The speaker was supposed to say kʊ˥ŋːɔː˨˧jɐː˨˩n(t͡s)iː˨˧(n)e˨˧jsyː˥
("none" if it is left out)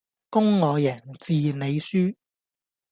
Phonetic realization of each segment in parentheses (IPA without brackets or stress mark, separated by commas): t͡s, n